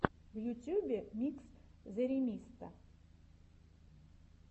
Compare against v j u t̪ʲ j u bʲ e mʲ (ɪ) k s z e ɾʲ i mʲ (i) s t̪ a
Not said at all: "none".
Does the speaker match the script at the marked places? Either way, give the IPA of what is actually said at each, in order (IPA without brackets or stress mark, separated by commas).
i, i